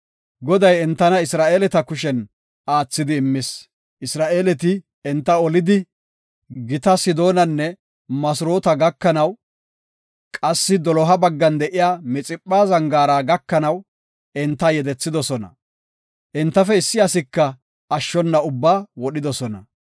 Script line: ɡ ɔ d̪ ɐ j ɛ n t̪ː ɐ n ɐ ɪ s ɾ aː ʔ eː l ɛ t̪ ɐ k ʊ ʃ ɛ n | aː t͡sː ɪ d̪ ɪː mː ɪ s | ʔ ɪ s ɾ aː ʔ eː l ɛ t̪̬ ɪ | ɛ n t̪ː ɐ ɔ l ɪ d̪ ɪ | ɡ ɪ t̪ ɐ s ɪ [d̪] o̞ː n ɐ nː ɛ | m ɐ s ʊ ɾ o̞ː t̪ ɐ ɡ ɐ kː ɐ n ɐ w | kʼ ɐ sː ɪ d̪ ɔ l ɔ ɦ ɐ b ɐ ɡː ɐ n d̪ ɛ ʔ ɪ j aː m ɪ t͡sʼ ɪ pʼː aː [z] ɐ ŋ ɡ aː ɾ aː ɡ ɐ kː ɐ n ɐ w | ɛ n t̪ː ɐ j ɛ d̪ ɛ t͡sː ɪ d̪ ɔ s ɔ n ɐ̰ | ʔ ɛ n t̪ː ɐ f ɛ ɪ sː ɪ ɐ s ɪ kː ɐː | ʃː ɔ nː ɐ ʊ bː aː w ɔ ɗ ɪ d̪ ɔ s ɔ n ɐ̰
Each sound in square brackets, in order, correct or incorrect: correct, correct

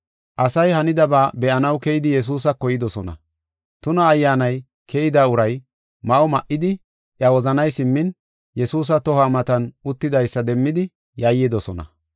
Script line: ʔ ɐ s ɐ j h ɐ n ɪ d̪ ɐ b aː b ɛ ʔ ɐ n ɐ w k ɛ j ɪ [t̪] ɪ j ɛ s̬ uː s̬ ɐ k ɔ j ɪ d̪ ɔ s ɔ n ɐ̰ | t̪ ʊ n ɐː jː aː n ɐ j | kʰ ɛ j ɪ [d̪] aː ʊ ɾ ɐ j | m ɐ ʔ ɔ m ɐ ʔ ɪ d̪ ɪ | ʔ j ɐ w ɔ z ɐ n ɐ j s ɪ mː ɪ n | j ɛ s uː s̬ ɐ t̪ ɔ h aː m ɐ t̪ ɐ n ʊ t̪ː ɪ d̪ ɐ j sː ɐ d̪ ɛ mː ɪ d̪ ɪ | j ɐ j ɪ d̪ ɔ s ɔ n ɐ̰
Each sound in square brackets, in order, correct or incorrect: incorrect, correct

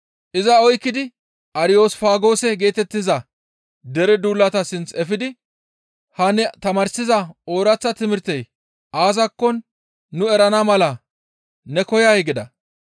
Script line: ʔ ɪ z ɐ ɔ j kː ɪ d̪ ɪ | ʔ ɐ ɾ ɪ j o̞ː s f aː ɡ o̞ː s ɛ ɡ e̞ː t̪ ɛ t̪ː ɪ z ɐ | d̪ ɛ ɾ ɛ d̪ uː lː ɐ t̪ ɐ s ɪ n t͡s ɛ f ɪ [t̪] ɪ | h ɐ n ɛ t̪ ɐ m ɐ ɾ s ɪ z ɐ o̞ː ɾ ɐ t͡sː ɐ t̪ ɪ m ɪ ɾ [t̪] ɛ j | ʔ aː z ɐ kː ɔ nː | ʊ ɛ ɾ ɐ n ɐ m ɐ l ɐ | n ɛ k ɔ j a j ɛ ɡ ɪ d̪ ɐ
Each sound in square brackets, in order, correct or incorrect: incorrect, correct

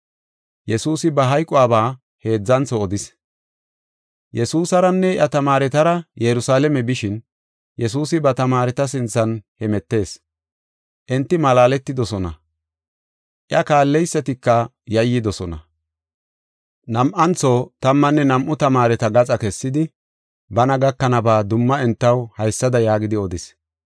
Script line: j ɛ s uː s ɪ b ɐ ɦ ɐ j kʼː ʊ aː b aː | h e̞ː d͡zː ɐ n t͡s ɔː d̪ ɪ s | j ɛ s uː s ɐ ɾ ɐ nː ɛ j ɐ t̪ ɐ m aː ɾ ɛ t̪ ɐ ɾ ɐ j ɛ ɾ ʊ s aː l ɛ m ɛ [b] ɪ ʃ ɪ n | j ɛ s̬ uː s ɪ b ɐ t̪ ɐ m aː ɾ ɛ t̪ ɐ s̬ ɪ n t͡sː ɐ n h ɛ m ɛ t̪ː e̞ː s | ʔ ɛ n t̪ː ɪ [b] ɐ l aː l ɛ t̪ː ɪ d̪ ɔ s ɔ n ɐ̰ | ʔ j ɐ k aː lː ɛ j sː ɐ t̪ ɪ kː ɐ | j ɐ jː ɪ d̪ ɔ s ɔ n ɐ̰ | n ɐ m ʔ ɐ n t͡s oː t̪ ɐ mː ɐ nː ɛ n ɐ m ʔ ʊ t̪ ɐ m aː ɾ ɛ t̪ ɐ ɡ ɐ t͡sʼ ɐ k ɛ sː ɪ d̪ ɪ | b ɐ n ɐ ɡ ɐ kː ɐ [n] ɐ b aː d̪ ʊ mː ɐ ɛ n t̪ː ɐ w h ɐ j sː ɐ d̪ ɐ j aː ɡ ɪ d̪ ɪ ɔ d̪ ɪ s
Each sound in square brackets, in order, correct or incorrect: correct, incorrect, correct

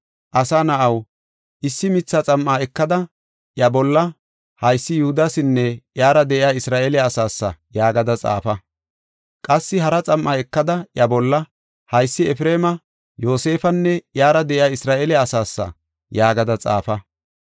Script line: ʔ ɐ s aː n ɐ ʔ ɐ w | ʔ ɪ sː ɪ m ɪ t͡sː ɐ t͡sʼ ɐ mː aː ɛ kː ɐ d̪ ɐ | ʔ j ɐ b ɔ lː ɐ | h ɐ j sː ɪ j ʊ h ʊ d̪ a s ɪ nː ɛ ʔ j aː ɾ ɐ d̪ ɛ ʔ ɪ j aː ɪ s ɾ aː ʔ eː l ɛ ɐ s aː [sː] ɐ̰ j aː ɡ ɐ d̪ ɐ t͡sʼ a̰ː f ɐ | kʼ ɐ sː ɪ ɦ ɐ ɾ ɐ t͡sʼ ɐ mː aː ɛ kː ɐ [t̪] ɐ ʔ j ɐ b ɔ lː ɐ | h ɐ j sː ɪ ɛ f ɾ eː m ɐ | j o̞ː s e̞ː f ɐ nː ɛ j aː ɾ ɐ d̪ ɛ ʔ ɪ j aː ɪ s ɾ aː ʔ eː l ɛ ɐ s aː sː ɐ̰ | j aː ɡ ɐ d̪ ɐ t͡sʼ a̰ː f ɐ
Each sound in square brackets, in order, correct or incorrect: correct, incorrect

